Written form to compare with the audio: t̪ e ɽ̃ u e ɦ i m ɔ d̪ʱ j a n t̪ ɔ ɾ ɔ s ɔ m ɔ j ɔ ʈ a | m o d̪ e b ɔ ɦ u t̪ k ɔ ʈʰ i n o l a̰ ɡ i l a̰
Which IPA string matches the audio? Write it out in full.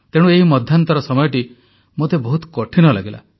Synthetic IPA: t̪ e ɽ̃ u e ɦ i m ɔ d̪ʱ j a n t̪ ɔ ɾ ɔ s ɔ m ɔ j ɔ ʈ i | m o t̪ e b ɔ ɦ u t̪ k ɔ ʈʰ i n ɔ l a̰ ɡ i l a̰